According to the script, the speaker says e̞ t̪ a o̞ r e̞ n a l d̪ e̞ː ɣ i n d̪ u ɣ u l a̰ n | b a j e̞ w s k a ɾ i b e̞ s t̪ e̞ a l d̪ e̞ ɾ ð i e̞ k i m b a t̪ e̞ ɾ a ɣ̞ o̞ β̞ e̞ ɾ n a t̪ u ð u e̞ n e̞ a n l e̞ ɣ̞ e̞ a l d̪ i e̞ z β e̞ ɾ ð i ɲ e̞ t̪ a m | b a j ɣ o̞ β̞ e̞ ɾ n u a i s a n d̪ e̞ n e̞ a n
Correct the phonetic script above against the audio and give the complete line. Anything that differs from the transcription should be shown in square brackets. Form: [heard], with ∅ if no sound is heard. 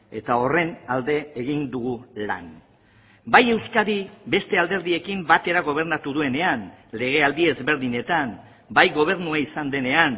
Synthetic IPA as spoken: e̞ t̪ a o̞ r e̞ n a l d̪ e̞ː ɣ i n d̪ u ɣ u l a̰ n | b a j e̞ w s k a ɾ i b e̞ s t̪ e̞ a l d̪ e̞ ɾ ð i e̞ k i m b a t̪ e̞ ɾ a ɣ̞ o̞ β̞ e̞ ɾ n a t̪ u ð u e̞ n e̞ a n l e̞ ɣ̞ e̞ a l d̪ i e̞ z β e̞ ɾ ð i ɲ e̞ t̪ a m | b a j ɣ o̞ β̞ e̞ ɾ n u a i s a n d̪ e̞ n e̞ a n